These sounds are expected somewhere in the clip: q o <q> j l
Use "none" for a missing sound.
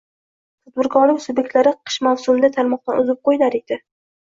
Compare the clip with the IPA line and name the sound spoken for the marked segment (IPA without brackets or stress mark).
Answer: none